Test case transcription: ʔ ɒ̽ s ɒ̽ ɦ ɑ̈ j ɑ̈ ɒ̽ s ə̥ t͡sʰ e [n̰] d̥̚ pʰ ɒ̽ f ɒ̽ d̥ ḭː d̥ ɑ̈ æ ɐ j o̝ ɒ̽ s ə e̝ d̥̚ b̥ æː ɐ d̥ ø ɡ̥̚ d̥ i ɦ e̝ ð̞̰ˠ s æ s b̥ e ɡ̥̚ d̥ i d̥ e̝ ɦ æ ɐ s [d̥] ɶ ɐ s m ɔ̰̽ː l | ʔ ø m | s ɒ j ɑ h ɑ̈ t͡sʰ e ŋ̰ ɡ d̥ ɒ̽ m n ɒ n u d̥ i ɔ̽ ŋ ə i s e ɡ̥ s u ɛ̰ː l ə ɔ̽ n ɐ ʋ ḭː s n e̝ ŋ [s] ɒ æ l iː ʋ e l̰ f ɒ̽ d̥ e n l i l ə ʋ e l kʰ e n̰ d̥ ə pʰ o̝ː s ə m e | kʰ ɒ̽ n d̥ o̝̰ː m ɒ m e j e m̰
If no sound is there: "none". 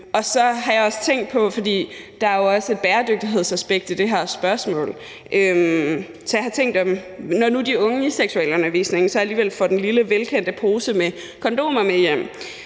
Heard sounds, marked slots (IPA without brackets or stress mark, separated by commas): ŋ̰, b̥, s